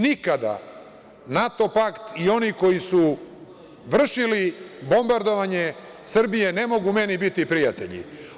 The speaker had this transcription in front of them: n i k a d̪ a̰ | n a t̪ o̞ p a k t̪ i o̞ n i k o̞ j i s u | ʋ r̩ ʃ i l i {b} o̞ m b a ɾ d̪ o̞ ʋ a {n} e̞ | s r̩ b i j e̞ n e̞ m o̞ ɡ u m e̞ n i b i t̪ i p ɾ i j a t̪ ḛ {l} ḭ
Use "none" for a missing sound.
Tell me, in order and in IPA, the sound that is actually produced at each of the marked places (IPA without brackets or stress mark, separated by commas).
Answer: b, ɲ, ʎ